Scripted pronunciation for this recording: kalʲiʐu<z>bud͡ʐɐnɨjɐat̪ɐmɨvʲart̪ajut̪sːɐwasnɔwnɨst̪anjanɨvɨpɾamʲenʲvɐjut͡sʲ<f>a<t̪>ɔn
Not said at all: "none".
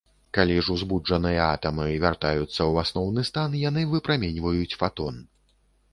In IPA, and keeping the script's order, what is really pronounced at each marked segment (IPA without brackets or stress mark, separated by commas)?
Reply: z, f, t̪